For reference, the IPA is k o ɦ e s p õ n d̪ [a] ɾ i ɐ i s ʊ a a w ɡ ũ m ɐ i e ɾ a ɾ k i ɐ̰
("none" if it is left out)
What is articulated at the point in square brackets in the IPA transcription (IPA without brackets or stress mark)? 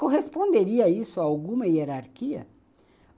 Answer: e